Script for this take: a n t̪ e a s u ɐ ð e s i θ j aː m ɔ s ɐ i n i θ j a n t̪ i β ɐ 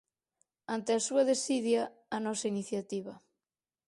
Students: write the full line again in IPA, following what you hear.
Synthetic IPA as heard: a n t̪ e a s u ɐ ð e s i ð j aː n ɔ s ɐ i n i θ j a t̪ i β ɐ